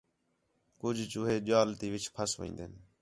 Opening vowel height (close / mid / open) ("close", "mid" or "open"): close